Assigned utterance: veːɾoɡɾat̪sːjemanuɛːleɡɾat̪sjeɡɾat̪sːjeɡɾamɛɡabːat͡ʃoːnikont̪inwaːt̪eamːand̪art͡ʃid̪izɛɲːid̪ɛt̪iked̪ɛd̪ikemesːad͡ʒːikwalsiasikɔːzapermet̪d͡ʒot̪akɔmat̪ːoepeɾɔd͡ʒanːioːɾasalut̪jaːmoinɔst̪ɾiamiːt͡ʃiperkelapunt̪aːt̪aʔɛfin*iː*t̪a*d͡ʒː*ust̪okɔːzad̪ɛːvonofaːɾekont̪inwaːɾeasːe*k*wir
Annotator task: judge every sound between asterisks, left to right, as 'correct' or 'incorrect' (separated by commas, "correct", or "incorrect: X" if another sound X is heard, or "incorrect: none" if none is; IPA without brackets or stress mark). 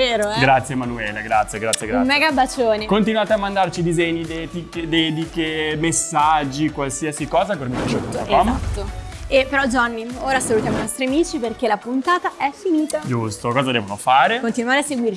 correct, incorrect: d͡ʒ, incorrect: ɡ